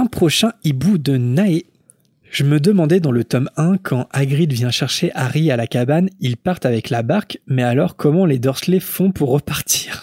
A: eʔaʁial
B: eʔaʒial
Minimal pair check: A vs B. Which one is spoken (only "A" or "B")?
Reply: A